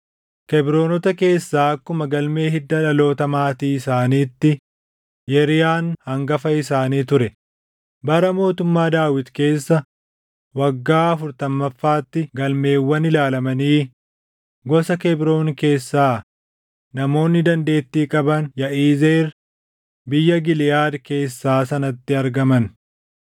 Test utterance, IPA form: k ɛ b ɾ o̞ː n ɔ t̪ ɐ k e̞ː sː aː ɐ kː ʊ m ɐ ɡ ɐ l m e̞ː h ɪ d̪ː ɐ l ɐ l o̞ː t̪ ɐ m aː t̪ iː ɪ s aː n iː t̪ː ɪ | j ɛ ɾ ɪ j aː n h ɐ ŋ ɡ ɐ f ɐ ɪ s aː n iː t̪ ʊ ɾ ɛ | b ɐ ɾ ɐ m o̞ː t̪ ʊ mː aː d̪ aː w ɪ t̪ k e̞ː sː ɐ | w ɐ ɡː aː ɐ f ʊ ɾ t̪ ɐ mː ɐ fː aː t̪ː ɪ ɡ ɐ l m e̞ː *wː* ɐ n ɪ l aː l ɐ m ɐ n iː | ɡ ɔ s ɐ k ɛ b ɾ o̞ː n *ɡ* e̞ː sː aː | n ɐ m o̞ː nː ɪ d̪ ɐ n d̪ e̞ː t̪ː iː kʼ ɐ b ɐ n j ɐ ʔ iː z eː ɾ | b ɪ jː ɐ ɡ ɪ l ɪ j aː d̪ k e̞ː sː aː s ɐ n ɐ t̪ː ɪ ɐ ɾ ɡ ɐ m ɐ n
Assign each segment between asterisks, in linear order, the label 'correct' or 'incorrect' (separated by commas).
correct, incorrect